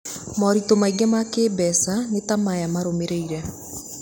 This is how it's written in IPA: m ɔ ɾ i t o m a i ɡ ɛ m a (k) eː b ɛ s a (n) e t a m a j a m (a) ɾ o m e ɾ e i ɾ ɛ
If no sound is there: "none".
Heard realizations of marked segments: k, n, a

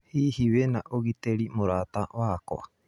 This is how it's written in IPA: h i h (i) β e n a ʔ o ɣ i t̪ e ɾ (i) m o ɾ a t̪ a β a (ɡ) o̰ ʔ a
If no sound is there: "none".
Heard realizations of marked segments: i, i, k

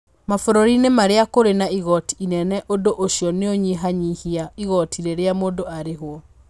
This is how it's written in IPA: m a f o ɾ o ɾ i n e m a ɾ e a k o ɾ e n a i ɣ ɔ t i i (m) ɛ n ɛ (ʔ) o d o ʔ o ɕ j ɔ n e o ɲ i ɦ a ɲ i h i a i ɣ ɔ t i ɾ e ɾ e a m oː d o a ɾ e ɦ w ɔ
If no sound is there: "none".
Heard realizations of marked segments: n, ʔ

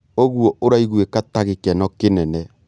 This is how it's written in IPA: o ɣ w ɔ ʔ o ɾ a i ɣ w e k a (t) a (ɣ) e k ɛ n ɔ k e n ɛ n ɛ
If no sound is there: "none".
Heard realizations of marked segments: t, ɣ

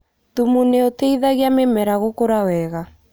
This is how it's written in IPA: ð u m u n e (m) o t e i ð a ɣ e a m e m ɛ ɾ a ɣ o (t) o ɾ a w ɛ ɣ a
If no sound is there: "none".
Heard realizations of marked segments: none, k

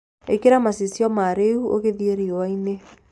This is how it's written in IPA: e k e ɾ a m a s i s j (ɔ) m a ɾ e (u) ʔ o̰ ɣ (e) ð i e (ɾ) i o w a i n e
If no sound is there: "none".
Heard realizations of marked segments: ɔ, u, e, ɾ

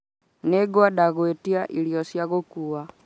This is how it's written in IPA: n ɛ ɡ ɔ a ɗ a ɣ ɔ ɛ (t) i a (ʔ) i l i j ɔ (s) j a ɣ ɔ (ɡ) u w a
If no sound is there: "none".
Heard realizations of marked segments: t, ʔ, s, k

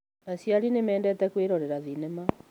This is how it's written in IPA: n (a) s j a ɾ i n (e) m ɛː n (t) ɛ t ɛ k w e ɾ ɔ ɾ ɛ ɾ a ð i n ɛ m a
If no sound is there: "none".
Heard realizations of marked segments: a, e, d

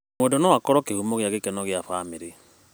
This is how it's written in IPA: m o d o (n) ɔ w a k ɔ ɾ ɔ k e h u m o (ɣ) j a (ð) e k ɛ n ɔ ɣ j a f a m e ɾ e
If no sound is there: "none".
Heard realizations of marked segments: n, ɣ, ɣ

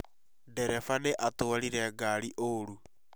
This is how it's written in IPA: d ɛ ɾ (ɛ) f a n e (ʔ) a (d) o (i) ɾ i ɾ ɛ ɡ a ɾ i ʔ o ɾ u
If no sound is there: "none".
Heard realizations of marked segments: ɛ, ʔ, t, a

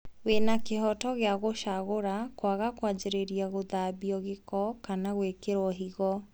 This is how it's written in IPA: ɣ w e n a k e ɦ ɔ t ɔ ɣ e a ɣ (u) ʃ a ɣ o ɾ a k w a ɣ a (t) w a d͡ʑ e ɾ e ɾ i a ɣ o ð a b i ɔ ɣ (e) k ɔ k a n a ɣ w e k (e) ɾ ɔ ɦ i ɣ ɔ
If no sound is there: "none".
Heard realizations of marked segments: o, k, e, e

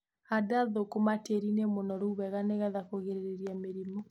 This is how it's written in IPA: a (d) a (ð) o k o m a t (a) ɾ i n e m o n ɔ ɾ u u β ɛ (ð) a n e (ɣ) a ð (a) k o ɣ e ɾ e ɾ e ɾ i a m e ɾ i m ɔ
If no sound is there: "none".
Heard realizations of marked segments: d, ð, e, ɣ, ɣ, a

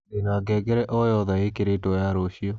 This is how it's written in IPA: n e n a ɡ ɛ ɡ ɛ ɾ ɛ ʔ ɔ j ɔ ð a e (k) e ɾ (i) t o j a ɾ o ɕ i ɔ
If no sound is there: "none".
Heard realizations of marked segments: k, e

